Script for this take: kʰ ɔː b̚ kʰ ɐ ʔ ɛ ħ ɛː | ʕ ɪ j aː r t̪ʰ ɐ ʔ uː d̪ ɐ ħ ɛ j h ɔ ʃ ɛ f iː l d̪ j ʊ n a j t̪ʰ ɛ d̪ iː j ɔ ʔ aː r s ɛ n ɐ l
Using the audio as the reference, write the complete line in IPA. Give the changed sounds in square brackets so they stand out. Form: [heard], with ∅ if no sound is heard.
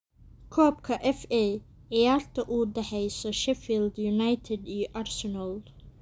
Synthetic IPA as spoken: kʰ ɔː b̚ kʰ ɐ ʔ ɛ [f] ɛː | ʕ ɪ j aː r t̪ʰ ɐ ʔ uː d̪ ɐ ħ ɛ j [s] ɔ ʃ ɛ f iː l d̪ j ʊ n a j t̪ʰ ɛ d̪ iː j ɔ ʔ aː r s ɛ n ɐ l